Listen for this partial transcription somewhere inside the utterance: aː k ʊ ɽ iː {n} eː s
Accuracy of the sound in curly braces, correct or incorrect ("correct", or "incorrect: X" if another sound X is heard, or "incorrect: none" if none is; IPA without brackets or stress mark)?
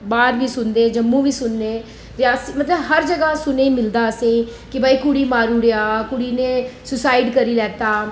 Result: correct